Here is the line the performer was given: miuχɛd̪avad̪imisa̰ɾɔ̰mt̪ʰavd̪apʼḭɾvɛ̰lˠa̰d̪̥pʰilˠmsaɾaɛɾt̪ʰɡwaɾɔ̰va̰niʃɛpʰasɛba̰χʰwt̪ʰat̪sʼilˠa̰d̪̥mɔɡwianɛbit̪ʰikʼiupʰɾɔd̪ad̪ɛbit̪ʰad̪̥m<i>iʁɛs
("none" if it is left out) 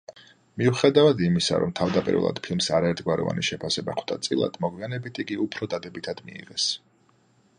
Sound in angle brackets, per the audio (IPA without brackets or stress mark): i